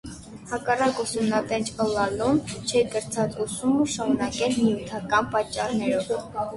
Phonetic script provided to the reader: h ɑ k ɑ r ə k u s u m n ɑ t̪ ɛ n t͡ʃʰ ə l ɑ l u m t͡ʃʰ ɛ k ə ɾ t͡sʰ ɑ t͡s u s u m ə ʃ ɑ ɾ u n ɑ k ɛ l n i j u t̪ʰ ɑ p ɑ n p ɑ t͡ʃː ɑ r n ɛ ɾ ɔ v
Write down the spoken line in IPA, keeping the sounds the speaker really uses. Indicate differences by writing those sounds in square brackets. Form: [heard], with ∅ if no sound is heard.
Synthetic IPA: h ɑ k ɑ r [ɑ] k u s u m n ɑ t̪ ɛ n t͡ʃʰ ə l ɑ l u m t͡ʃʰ ɛ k ə ɾ t͡sʰ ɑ t͡s u s u m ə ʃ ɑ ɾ u n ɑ k ɛ l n i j u t̪ʰ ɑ [k] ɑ n p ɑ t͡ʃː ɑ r n ɛ ɾ ɔ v

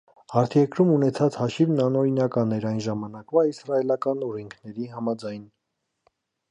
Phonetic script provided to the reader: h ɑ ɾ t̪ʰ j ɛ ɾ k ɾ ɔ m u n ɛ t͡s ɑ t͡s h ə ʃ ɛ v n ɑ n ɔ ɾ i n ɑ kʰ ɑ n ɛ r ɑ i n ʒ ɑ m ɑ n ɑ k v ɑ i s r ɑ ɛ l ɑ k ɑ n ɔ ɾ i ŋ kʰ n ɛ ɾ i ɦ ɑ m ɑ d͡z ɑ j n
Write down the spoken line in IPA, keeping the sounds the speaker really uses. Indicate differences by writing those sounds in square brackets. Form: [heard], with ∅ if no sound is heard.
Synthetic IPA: h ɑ ɾ t̪ʰ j ɛ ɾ k ɾ [u] m u n ɛ [t͡sʰ] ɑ t͡s h [ɑ] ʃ [i] v n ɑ n ɔ ɾ i n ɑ [k] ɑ n ɛ [ɾ] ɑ [j] n ʒ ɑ m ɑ n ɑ k v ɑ i s r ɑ ɛ l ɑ k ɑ n ɔ ɾ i ŋ kʰ n ɛ ɾ i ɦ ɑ m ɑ d͡z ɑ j n

